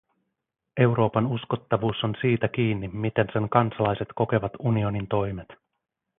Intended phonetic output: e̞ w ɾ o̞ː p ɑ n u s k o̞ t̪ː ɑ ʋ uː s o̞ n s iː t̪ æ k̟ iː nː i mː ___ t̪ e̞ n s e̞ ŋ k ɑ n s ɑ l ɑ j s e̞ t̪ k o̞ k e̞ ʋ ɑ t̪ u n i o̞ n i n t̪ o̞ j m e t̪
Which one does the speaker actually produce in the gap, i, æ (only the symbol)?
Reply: i